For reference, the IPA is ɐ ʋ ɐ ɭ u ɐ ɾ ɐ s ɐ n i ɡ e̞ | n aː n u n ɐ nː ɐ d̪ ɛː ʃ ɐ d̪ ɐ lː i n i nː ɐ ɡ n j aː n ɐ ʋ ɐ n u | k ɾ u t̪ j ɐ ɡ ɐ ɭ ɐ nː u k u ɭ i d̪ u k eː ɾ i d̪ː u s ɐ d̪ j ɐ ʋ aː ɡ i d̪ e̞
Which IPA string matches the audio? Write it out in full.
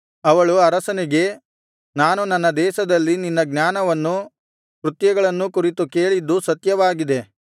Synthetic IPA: ɐ ʋ ɐ ɭ u ɐ ɾ ɐ s ɐ n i ɡ e̞ | n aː n u n ɐ nː ɐ d̪ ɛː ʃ ɐ d̪ ɐ lː i n i nː ɐ ɡ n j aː n ɐ ʋ ɐ nː u | k ɾ u t̪ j ɐ ɡ ɐ ɭ ɐ nː u k u ɾ i t̪ u k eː ɭ i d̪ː u s ɐ t̪ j ɐ ʋ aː ɡ i d̪ e̞